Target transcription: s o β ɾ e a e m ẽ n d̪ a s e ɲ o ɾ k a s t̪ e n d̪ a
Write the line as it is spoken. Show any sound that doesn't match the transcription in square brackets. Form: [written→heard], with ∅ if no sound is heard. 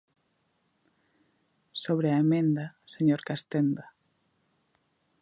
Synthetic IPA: s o β ɾ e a e m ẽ n d̪ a s e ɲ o ɾ k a s t̪ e n d̪ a

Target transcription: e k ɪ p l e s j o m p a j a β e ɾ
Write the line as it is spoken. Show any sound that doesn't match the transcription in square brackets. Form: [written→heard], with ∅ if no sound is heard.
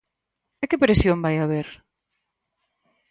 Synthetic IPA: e k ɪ p [l→ɾ] e s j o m [p→b] a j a β e ɾ

